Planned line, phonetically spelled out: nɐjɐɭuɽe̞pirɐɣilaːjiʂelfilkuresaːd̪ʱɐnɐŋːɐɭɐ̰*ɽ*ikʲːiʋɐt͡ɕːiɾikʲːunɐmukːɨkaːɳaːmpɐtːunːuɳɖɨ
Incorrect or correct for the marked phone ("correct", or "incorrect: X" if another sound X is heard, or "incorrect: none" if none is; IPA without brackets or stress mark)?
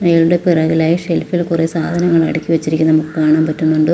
correct